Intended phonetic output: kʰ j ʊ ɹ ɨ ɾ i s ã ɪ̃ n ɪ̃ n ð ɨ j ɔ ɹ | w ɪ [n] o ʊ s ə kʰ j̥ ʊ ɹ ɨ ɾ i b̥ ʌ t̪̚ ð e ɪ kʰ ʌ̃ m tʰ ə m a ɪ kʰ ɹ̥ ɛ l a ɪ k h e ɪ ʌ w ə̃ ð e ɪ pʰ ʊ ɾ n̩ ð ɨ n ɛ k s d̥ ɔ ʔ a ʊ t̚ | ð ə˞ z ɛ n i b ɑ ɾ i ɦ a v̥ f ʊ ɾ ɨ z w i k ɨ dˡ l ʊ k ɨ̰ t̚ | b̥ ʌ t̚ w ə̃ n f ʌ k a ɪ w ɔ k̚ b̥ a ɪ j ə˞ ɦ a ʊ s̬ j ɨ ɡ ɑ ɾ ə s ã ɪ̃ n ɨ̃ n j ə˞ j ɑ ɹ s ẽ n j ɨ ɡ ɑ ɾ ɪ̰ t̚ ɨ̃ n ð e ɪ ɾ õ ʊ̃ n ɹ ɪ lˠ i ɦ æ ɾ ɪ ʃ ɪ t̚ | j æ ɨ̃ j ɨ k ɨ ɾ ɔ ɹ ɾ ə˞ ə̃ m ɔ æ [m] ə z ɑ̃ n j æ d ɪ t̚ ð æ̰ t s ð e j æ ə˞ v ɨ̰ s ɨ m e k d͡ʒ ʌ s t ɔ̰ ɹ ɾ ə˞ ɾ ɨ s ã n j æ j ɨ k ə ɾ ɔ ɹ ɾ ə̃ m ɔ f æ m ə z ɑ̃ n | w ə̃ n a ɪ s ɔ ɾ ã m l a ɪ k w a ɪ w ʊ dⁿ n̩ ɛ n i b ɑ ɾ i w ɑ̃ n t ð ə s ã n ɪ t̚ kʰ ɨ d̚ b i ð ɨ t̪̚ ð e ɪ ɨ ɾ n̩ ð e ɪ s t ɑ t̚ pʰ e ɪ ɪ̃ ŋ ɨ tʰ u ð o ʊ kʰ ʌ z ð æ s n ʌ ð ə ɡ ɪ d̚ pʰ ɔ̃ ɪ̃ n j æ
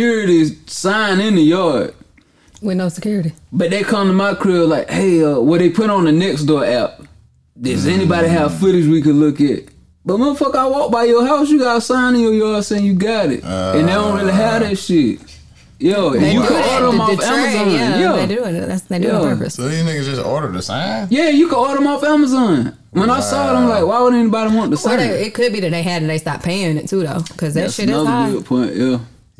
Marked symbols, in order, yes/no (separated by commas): yes, yes